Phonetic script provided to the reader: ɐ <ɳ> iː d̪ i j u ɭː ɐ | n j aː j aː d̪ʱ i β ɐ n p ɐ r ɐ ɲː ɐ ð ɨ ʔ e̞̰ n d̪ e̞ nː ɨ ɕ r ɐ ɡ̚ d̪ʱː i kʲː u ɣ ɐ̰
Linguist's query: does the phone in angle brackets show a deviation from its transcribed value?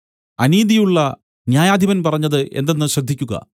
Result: yes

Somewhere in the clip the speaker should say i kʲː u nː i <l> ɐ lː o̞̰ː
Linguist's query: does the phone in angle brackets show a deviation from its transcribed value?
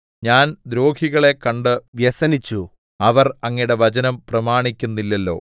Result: yes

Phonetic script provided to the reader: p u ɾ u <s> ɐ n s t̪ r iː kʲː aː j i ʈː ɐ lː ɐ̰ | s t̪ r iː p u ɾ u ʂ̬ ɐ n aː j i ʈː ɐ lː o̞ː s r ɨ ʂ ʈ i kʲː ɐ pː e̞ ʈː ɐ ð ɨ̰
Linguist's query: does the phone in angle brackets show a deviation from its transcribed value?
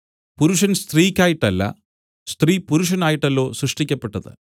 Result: yes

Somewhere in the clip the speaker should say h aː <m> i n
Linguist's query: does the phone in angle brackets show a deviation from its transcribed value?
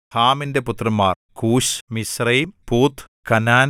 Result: no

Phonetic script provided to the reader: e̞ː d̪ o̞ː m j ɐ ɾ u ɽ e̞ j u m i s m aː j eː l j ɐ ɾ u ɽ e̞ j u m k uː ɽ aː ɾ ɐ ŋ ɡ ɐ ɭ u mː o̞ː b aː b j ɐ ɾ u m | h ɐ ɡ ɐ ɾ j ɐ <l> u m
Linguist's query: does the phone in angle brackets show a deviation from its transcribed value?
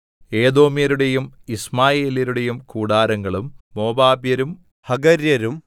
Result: yes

